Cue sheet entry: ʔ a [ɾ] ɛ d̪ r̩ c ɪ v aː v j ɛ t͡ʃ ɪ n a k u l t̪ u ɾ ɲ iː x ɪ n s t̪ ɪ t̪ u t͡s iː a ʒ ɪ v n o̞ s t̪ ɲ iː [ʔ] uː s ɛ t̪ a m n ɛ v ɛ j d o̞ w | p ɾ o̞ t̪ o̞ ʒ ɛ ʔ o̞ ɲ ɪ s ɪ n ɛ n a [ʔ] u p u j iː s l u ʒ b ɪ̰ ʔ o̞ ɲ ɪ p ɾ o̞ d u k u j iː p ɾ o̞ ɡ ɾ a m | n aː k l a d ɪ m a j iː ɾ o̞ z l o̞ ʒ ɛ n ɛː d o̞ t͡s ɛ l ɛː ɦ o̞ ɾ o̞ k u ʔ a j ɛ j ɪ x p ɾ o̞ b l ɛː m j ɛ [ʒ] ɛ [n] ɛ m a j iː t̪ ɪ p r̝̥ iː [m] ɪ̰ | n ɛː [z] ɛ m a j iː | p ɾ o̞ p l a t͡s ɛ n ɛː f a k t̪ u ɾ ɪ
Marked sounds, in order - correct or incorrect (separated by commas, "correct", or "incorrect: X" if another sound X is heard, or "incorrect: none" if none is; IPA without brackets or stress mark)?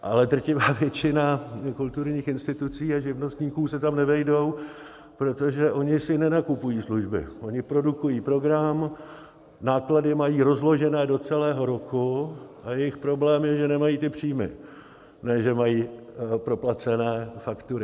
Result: incorrect: l, incorrect: k, incorrect: k, correct, correct, correct, incorrect: ʒ